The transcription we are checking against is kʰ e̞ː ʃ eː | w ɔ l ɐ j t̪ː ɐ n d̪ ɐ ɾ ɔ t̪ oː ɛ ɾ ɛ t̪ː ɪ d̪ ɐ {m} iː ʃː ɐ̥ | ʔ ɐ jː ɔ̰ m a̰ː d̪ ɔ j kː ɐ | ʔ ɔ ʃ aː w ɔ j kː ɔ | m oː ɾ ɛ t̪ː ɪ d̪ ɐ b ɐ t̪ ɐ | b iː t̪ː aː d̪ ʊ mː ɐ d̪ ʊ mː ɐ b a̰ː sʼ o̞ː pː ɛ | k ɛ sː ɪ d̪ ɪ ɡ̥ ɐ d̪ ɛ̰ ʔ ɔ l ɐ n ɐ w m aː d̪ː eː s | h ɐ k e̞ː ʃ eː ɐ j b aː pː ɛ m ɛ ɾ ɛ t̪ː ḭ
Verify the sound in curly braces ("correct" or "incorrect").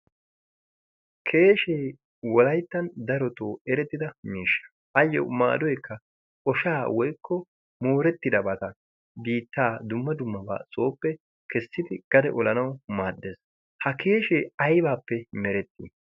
correct